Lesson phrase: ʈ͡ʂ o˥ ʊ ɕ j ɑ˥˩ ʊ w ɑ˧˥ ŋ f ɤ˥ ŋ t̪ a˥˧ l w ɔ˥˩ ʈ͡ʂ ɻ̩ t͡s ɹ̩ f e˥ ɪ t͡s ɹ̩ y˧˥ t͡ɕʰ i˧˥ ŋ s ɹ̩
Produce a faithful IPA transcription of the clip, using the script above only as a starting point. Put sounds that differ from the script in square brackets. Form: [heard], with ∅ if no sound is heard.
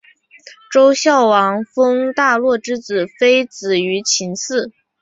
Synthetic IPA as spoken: ʈ͡ʂ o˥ ʊ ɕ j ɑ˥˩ ʊ w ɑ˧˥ ŋ f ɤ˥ ŋ t̪ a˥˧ l w ɔ˥˩ ʈ͡ʂ ɻ̩ t͡s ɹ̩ f e˥ ɪ t͡s ɹ̩ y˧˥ t͡ɕʰ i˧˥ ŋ s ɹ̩